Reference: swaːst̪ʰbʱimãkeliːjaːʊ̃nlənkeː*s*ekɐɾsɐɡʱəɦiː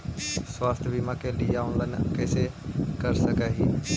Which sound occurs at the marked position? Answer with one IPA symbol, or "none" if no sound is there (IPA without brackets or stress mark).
s